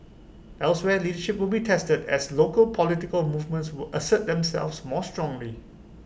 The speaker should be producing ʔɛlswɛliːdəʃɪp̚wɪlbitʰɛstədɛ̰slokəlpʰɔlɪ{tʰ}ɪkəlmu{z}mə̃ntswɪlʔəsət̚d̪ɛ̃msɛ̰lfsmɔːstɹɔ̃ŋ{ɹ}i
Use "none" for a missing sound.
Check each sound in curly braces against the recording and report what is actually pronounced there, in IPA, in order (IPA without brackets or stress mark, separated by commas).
t, v, l